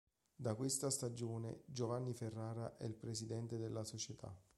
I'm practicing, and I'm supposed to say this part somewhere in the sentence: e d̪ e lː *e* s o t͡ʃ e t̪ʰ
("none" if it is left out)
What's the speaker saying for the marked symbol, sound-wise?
a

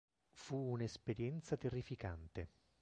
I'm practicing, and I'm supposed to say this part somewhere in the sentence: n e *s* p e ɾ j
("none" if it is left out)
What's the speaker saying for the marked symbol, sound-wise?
s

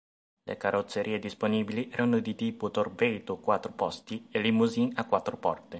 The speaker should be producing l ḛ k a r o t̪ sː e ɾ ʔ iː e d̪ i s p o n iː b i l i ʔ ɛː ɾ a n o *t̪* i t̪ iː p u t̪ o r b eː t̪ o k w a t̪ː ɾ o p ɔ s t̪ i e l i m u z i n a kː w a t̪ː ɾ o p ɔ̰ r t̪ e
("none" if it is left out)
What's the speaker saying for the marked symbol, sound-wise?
d̪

